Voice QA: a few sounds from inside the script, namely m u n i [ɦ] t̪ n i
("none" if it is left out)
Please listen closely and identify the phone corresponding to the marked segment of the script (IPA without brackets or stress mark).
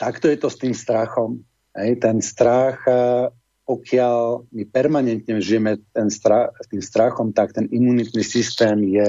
none